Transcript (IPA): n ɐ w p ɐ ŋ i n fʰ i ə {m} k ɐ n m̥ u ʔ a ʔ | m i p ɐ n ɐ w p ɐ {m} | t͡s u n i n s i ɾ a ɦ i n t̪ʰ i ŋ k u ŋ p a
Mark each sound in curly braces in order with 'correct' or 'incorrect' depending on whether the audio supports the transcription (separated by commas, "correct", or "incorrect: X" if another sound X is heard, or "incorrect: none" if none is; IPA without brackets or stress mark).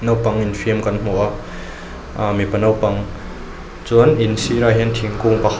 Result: correct, incorrect: ŋ